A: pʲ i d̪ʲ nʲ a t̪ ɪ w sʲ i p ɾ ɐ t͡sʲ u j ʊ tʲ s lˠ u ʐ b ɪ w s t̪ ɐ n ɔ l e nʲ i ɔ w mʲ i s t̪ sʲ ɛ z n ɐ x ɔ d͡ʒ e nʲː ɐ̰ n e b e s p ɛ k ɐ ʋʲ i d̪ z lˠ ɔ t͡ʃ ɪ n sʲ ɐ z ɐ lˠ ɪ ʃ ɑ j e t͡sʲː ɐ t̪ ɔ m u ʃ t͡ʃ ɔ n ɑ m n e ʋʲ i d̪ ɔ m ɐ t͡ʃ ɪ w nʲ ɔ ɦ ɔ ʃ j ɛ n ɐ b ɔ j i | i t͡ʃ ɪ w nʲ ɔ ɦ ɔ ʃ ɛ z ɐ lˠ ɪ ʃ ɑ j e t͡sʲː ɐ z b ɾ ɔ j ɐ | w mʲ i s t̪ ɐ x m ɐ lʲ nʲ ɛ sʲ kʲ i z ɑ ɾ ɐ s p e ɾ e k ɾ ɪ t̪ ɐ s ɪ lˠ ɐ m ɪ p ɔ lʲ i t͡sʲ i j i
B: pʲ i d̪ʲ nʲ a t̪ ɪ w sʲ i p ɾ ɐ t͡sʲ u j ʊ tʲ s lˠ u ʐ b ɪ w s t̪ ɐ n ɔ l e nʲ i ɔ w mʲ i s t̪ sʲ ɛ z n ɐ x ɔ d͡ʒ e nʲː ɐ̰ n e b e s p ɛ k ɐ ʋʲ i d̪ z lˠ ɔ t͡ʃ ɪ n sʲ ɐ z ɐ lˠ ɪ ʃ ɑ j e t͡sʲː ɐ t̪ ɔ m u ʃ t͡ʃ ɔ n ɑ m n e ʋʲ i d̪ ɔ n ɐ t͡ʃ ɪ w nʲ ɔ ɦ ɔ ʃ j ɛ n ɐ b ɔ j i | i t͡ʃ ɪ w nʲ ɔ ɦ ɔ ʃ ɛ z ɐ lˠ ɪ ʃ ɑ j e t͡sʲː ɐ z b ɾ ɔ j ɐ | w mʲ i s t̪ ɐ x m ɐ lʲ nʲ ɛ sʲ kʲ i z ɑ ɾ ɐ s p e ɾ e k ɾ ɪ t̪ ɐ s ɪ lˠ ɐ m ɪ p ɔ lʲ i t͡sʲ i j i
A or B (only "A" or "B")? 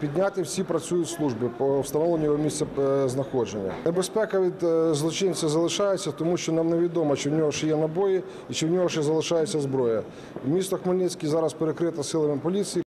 A